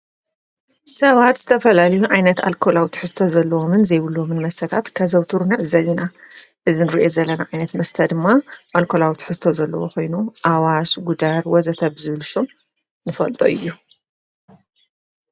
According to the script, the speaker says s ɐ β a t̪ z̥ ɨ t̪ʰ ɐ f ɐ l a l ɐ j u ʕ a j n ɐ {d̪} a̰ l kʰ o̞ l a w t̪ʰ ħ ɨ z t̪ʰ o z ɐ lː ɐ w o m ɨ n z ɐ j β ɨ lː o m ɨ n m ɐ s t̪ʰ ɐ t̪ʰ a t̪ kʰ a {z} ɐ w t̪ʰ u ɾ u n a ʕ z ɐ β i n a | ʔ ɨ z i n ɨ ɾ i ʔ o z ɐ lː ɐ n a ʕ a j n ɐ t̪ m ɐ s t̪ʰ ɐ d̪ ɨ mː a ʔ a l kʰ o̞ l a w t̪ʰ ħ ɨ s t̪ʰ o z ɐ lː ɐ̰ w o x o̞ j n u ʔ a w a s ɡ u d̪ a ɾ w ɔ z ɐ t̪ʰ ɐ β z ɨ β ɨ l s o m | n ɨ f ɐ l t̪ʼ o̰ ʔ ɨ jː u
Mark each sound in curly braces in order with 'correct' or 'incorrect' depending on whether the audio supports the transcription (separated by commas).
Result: incorrect, correct